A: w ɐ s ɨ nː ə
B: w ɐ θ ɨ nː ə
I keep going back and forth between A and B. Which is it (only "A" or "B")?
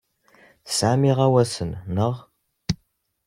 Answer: A